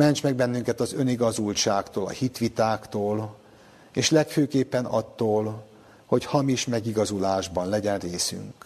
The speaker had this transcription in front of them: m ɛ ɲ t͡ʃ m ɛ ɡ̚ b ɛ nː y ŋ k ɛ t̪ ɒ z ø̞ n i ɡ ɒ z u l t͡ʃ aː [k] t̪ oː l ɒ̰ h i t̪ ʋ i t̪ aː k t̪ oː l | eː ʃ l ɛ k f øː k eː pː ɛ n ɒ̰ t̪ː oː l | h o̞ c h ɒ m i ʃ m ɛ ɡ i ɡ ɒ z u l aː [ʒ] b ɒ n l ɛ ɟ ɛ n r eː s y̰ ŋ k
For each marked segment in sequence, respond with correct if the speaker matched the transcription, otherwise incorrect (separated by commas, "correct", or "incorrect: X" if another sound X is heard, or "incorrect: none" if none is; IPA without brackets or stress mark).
correct, correct